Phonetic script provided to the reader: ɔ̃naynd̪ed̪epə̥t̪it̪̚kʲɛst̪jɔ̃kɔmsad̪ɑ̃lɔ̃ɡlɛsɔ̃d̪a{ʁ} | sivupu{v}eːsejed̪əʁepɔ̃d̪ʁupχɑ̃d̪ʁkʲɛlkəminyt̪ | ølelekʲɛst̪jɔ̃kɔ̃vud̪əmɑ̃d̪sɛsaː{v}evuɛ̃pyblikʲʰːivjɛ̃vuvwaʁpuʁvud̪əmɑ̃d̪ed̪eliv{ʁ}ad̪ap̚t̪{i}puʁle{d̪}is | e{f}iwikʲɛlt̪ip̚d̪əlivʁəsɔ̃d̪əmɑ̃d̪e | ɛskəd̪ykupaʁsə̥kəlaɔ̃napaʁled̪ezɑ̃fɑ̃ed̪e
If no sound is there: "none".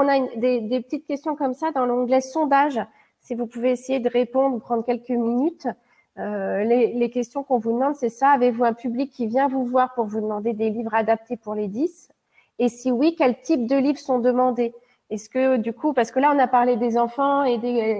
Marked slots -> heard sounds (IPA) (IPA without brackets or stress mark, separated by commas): ʒ, v, v, ʁ, e, d̪, s